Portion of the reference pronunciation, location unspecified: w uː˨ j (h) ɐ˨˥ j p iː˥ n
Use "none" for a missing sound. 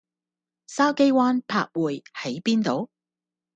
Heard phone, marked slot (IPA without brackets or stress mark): h